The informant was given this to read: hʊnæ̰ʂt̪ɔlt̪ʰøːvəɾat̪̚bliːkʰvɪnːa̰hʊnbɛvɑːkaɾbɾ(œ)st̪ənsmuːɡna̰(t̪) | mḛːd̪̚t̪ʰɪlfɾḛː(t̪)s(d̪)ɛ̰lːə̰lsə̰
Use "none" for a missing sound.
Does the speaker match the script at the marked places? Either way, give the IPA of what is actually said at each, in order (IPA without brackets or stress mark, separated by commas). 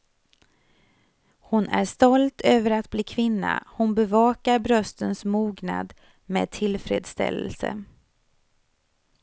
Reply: œ, d̪, d̪, t̪